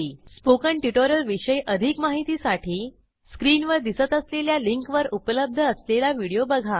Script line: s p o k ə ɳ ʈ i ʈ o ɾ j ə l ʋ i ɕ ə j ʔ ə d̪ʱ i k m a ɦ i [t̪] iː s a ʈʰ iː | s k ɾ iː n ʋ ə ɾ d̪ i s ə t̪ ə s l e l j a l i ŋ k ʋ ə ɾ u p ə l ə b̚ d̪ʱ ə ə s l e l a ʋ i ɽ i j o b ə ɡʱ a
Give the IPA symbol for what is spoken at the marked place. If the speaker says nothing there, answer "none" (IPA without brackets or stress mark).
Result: t̪